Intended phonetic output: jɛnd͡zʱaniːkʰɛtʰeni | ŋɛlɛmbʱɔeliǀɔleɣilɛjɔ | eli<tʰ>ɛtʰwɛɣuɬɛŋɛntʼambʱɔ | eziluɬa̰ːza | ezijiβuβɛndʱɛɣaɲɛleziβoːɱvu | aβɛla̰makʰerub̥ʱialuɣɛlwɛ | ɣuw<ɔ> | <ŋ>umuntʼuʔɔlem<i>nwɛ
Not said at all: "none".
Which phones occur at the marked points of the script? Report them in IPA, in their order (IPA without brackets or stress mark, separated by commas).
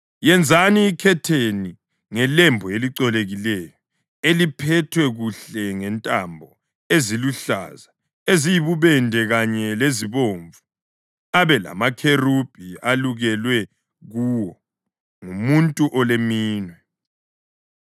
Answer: pʰ, ɔ, ŋ, iː